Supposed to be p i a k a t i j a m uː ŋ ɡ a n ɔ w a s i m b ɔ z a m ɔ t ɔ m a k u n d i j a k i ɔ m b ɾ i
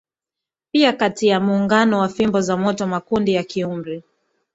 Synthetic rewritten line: p i a k a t i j a m uː ŋ ɡ a n ɔ w a f i m b ɔ z a m ɔ t ɔ m a k u n d i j a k i u m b ɾ i